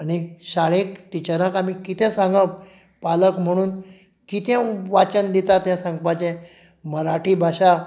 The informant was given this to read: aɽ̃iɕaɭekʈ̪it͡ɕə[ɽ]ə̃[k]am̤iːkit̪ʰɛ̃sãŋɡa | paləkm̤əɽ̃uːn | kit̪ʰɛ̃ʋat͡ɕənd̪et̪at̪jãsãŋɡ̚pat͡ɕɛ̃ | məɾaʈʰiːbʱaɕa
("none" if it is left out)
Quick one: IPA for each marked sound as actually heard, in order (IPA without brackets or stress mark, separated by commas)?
ɾ, k